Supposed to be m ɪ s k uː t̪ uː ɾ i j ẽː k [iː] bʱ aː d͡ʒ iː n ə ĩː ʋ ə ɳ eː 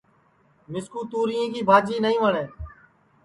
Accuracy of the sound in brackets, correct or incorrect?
correct